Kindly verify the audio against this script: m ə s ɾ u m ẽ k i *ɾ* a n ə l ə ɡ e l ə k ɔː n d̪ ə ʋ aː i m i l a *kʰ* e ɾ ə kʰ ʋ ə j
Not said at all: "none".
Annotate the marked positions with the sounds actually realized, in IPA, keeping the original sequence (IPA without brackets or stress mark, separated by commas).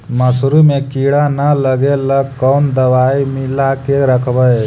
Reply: ɽ, k